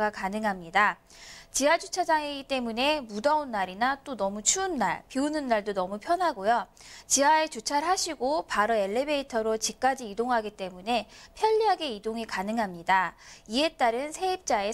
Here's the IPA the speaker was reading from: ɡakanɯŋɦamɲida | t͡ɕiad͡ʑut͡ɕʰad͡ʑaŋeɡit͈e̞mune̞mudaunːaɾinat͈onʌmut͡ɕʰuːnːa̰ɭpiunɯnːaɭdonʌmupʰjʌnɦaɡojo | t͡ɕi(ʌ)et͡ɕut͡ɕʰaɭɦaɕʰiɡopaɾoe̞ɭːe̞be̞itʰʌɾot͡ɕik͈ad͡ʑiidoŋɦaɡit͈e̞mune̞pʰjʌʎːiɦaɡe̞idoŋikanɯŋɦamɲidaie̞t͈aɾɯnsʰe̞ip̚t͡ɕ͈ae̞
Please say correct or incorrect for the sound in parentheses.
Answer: incorrect: a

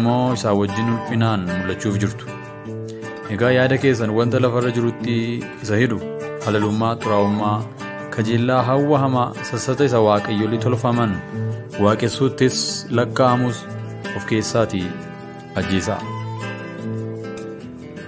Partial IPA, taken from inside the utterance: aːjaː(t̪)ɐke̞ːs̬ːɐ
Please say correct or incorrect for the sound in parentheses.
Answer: incorrect: d̪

